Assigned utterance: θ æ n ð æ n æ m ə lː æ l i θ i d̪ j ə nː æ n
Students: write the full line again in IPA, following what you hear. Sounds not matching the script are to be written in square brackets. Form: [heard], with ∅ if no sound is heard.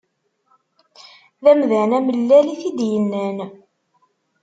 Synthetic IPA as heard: [ð] æ [m] ð æ n æ m ə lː æ l i θ i d̪ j ə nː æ n